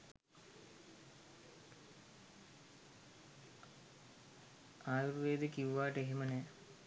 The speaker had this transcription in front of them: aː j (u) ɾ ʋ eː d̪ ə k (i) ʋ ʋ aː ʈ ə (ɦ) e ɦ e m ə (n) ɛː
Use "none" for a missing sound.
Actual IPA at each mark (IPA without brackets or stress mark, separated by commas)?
u, i, none, n